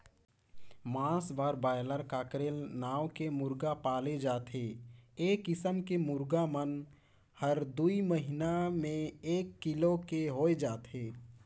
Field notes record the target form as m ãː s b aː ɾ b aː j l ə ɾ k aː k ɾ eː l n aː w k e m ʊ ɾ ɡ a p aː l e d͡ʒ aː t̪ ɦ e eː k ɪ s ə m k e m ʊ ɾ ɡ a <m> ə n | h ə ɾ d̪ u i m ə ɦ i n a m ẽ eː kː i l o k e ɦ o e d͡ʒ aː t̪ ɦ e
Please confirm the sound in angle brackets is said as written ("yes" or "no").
yes